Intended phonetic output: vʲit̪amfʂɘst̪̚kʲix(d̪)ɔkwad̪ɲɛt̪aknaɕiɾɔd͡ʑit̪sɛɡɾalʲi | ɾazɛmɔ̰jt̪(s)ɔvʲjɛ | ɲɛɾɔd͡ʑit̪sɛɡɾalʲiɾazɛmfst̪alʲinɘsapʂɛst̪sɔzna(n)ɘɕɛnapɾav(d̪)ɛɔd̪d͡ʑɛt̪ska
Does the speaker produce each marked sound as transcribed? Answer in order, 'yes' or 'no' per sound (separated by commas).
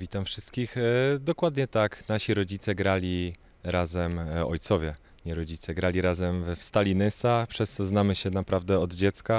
yes, yes, no, yes